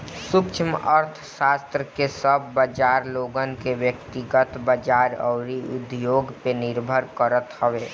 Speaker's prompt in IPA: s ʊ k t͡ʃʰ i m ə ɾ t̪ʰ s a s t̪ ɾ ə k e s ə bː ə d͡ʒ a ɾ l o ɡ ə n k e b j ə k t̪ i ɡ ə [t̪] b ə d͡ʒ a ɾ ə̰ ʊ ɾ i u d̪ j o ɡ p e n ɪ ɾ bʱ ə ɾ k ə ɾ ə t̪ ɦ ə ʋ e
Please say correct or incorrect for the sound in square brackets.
correct